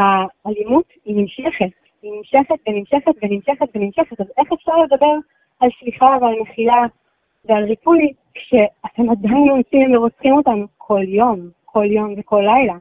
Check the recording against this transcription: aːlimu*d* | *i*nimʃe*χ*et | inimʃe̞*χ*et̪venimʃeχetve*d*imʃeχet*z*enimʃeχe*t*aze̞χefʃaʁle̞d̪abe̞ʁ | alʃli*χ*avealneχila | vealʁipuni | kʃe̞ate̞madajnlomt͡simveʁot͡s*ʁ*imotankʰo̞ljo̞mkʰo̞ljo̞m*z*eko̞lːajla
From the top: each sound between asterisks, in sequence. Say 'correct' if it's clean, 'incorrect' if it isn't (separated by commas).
incorrect, correct, correct, correct, incorrect, incorrect, correct, correct, incorrect, incorrect